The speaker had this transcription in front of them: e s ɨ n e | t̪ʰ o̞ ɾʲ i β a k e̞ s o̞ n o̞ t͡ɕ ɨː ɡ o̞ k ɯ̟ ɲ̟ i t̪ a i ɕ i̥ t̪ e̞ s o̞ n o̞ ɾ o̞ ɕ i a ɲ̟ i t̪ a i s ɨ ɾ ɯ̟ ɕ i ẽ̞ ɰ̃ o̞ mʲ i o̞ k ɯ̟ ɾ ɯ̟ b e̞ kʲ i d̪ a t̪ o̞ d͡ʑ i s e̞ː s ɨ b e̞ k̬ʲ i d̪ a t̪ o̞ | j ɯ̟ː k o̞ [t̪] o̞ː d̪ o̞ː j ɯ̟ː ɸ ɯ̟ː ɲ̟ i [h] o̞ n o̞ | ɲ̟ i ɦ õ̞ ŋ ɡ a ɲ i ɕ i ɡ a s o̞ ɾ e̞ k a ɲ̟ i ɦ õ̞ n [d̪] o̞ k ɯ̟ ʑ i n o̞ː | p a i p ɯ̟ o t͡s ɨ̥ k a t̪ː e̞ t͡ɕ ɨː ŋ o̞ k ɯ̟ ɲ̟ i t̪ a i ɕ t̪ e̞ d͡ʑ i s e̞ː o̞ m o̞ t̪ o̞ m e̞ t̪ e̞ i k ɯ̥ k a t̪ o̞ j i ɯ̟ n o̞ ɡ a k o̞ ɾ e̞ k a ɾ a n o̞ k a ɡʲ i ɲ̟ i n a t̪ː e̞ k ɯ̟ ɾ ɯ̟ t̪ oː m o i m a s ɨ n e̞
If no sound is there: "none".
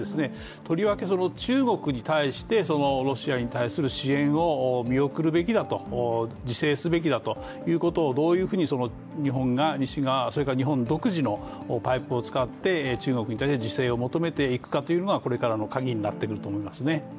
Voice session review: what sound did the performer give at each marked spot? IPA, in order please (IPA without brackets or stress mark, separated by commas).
t̪, s, d̪